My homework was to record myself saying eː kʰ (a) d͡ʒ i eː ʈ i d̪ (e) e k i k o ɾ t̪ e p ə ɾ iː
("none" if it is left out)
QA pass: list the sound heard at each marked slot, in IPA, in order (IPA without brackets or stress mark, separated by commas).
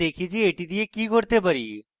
i, i